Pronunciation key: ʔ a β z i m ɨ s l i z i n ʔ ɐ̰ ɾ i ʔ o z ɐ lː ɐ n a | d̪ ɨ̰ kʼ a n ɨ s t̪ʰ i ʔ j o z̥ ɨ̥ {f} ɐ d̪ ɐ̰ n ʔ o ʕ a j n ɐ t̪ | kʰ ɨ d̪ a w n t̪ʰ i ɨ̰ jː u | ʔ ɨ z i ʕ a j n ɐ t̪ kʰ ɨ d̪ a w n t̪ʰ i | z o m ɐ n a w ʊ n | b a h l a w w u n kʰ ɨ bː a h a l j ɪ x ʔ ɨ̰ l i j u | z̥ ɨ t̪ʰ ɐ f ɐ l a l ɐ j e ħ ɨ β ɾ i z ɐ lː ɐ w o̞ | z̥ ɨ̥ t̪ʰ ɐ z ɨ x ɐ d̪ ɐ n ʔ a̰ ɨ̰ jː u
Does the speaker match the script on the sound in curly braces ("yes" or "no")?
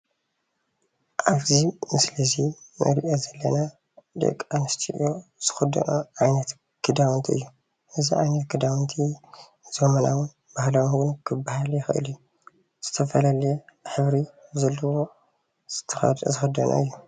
no